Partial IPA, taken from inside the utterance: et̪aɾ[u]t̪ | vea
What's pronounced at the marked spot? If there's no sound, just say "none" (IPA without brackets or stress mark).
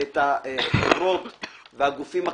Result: o